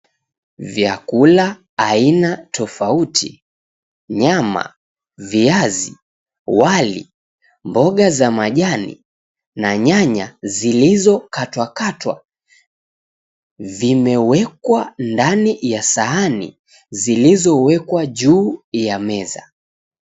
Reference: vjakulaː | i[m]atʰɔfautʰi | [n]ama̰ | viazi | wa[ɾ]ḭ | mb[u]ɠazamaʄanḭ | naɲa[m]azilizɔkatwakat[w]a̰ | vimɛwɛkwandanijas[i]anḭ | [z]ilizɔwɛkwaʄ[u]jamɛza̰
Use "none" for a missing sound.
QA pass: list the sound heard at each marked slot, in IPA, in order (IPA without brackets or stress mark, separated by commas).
n, ɲ, l, ɔ, ɲ, w, a, z, uː